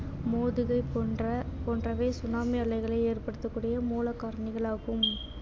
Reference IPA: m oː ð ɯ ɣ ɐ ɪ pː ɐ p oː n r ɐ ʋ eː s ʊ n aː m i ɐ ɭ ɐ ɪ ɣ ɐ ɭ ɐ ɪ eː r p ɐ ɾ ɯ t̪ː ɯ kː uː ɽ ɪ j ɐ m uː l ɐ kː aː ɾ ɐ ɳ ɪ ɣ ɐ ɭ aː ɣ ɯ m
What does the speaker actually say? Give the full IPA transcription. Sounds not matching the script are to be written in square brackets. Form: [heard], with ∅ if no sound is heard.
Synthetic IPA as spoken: m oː ð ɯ ɣ ɐ ɪ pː ɐ p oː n r ɐ ʋ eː s ʊ n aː m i ɐ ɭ ɐ ɪ ɣ ɐ ɭ ɐ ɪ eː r p ɐ [ɽ] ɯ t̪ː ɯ kː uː ɽ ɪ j ɐ m uː l ɐ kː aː ɾ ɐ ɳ ɪ ɣ ɐ ɭ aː ɣ ɯ m

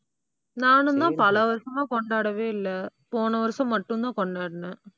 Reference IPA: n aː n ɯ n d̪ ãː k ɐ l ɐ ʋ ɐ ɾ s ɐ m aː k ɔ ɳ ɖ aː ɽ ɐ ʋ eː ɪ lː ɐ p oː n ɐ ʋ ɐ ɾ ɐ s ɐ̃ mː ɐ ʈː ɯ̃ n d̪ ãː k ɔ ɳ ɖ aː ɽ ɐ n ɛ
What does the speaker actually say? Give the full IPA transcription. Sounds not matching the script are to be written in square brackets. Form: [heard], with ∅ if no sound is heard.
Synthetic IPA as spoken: n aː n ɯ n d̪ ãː [p] ɐ l ɐ ʋ ɐ ɾ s ɐ m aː k ɔ ɳ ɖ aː ɽ ɐ ʋ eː ɪ lː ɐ p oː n ɐ ʋ ɐ ɾ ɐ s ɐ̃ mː ɐ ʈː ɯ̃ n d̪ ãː k ɔ ɳ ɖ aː ɽ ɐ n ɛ

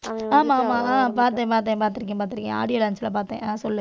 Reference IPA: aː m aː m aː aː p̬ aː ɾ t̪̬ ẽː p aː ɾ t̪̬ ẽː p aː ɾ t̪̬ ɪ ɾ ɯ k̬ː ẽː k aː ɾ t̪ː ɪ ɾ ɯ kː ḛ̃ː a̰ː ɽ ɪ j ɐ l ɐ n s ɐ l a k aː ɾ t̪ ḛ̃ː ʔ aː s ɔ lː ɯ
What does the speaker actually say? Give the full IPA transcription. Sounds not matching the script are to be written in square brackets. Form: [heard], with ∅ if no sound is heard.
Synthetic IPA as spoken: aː m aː m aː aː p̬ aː ɾ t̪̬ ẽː p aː ɾ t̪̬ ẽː p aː ɾ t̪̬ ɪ ɾ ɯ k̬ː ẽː [p] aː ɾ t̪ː ɪ ɾ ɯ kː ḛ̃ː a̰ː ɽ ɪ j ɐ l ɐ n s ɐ l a [p] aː ɾ t̪ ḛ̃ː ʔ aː s ɔ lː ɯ

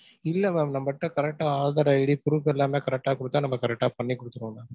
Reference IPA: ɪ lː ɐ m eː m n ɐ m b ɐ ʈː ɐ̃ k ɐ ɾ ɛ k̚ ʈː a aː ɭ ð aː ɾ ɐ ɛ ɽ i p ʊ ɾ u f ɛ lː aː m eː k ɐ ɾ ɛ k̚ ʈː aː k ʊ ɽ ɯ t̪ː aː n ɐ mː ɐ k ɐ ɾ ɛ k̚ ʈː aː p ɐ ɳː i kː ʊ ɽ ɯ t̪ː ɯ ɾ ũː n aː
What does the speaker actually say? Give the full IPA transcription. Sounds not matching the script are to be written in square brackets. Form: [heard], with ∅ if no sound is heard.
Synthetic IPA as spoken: ɪ lː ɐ m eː m n ɐ m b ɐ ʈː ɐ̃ k ɐ ɾ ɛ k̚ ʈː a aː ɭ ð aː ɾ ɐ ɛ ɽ i p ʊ ɾ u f ɛ lː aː m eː k ɐ ɾ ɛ k̚ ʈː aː k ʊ ɽ ɯ t̪ː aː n ɐ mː ɐ k ɐ ɾ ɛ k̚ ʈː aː p ɐ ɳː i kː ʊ ɽ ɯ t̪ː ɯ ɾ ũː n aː

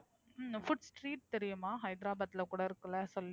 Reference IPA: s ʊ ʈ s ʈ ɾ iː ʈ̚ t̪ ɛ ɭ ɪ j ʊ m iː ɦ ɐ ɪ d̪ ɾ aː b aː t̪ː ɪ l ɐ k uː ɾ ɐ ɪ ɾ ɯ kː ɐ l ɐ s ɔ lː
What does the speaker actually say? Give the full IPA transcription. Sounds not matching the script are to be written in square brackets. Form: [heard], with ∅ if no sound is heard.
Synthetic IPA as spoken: [f] ʊ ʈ s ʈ ɾ iː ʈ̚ t̪ ɛ [ɾ] ɪ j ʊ m [aː] ɦ ɐ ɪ d̪ ɾ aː b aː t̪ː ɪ l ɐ k uː [ɽ] ɐ ɪ ɾ ɯ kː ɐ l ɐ s ɔ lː

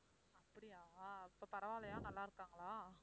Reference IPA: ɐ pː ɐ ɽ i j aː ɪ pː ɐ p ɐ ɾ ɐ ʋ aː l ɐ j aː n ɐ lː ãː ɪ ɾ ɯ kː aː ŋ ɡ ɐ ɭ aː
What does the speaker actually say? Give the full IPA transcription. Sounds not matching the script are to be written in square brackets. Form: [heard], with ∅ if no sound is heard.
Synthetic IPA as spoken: ɐ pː ɐ ɽ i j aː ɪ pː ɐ p ɐ ɾ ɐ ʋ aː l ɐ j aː n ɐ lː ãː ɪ ɾ ɯ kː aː ŋ ɡ ɐ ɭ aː

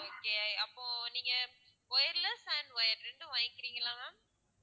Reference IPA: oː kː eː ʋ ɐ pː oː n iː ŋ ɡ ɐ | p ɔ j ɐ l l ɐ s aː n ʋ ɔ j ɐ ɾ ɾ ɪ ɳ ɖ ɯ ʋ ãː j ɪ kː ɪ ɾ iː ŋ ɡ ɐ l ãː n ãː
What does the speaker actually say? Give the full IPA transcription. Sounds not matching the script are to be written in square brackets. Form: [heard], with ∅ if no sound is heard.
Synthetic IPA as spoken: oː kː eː [∅] ɐ pː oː n iː ŋ ɡ ɐ | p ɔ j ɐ [ɾ] l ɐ s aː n ʋ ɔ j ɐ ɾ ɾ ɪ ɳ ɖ ɯ ʋ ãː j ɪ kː ɪ ɾ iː ŋ ɡ ɐ l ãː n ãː

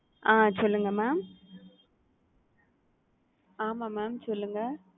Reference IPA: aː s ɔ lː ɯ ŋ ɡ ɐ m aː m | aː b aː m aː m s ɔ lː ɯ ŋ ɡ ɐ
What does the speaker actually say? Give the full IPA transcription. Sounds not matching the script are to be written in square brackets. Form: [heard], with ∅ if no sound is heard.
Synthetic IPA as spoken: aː s ɔ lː ɯ ŋ ɡ ɐ m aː m | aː [m] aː m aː m s ɔ lː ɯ ŋ ɡ ɐ

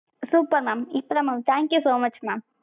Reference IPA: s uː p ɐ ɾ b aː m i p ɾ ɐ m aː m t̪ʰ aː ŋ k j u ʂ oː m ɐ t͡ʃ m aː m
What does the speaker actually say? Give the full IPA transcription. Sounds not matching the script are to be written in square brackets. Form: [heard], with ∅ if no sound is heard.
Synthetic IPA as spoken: s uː p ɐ ɾ [m] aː m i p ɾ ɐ m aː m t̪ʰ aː ŋ k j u [s] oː m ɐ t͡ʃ m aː m

